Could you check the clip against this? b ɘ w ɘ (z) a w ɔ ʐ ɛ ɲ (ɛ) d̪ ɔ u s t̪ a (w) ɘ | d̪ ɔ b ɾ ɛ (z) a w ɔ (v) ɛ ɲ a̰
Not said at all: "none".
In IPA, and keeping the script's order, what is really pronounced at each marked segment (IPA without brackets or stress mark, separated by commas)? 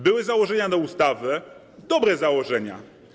z, a, v, z, ʐ